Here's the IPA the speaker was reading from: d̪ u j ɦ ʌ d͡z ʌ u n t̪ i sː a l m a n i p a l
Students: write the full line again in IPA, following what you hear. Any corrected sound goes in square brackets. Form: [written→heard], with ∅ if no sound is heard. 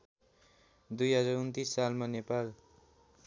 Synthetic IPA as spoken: d̪ u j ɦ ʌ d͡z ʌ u n t̪ i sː a l m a n [i→e] p a l